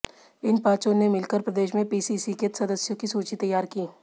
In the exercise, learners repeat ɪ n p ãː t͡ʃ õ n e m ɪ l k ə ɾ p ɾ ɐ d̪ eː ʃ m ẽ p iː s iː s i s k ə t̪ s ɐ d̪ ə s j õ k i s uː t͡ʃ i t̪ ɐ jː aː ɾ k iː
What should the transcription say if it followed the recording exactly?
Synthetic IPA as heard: ɪ n p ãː t͡ʃ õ n e m ɪ l k ə ɾ p ɾ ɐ d̪ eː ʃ m ẽ p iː s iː s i k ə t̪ s ɐ d̪ ə s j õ k i s uː t͡ʃ i t̪ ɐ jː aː ɾ k iː